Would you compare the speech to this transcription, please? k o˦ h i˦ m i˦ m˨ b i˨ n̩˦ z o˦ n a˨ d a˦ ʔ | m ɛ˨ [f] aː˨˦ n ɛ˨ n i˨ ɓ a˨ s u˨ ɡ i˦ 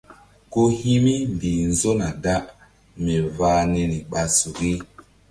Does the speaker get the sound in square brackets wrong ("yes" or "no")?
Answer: yes